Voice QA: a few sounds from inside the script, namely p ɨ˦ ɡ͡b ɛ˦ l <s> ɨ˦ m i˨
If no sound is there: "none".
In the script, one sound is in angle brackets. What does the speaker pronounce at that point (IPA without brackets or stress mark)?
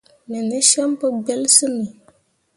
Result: s